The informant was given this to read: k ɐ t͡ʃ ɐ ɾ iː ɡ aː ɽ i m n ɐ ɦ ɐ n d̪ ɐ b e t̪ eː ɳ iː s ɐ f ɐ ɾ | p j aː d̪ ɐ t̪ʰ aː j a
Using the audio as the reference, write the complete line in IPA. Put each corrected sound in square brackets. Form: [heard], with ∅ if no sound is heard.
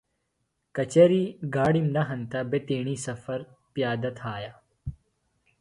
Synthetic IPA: k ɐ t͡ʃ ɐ ɾ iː ɡ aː ɽ i m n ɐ ɦ ɐ n [t̪] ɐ b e t̪ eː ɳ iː s ɐ f ɐ ɾ | p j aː d̪ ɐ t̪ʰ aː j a

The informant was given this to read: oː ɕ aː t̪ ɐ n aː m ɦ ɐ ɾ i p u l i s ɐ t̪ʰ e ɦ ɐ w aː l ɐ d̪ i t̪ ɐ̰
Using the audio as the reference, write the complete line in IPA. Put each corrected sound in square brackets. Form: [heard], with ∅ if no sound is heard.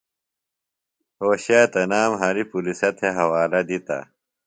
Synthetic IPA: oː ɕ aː t̪ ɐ n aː m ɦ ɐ ɾ i p u l i s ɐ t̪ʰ e ɦ ɐ w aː l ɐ d̪ i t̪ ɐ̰

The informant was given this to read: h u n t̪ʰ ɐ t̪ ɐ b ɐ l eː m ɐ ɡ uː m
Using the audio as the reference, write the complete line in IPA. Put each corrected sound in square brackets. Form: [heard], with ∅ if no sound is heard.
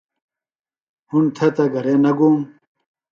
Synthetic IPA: h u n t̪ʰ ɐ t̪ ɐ [ɡ] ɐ [ɾ] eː [n] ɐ ɡ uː m

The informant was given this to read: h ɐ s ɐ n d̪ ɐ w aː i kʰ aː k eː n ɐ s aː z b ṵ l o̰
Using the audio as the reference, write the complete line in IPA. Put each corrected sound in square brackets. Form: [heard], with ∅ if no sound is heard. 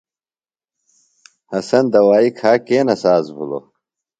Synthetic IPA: h ɐ s ɐ n d̪ ɐ w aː i kʰ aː k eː n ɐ s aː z b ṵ l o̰

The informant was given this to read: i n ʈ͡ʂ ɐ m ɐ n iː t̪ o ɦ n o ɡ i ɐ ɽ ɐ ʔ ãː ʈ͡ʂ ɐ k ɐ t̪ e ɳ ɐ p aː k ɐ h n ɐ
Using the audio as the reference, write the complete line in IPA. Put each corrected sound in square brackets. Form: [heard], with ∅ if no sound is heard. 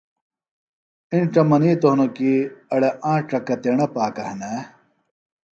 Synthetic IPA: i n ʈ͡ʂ ɐ m ɐ n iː t̪ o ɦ n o [k] i ɐ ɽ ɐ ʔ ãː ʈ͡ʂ ɐ k ɐ t̪ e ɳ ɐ p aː k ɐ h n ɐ

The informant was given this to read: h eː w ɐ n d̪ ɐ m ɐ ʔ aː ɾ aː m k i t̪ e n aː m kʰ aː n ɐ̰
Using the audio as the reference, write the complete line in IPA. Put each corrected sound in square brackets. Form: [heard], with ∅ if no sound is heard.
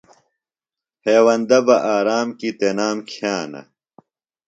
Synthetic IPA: h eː w ɐ n d̪ ɐ [b] ɐ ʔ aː ɾ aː m k i t̪ e n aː m kʰ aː n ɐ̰

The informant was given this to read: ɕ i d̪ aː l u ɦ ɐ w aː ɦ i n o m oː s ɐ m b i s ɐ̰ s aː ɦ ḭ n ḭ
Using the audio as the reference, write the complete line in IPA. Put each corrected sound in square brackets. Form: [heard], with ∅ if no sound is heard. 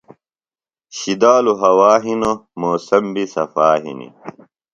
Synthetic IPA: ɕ i d̪ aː l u ɦ ɐ w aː ɦ i n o m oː s ɐ m b i s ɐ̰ [f] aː ɦ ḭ n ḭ

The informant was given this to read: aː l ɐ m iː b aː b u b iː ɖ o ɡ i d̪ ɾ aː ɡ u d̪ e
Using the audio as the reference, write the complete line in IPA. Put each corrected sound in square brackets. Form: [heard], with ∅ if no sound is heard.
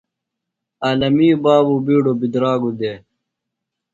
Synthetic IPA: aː l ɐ m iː b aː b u b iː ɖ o [b] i d̪ ɾ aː ɡ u d̪ e

